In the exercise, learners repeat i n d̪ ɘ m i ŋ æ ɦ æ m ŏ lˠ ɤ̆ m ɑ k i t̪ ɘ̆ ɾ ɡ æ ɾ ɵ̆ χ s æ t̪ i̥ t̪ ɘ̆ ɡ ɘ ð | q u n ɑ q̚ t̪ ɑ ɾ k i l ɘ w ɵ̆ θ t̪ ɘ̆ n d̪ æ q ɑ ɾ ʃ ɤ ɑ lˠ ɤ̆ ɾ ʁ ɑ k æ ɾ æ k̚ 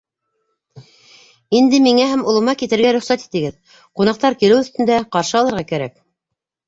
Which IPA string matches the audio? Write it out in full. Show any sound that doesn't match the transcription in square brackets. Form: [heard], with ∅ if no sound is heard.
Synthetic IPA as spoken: i n d̪ ɘ m i ŋ æ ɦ æ m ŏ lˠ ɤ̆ m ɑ k i t̪ ɘ̆ ɾ ɡ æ ɾ ɵ̆ χ s æ t̪ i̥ t̪ ɘ̆ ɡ ɘ ð | q u n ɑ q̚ t̪ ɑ ɾ k i l ɘ w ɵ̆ θ t̪ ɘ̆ n d̪ æ q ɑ ɾ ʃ ɤ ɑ lˠ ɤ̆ ɾ ʁ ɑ k æ ɾ æ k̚